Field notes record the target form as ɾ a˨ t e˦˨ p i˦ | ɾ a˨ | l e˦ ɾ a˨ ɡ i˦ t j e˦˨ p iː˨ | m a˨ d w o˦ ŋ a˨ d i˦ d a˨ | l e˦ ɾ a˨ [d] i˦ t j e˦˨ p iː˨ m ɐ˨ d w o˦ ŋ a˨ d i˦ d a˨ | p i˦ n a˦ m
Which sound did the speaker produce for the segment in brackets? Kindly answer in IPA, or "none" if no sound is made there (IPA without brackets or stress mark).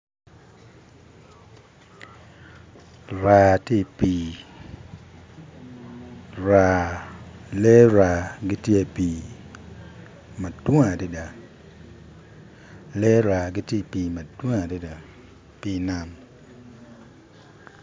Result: ɡ